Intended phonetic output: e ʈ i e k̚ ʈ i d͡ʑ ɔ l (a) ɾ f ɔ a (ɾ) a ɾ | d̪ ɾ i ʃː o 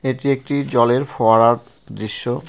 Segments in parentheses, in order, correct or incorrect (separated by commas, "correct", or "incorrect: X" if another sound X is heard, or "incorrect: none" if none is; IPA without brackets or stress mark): incorrect: e, correct